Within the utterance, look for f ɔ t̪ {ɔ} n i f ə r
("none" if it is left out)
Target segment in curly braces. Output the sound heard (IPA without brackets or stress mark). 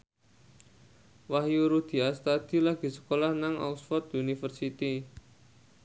u